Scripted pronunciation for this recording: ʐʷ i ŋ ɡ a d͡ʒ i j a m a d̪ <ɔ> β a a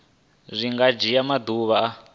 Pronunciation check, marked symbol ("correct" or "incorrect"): incorrect